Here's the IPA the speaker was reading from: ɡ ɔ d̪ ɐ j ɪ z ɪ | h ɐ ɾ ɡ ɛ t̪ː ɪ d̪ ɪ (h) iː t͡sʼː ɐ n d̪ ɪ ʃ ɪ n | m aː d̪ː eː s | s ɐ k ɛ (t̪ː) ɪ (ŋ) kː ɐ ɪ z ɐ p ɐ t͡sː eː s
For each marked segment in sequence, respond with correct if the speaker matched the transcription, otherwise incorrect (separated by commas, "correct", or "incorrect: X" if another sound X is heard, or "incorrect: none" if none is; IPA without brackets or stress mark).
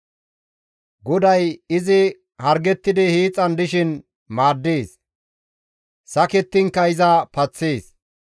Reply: correct, correct, correct